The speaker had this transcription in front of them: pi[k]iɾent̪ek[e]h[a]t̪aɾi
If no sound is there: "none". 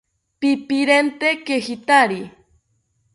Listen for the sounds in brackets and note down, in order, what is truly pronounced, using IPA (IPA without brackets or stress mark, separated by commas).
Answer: p, e, i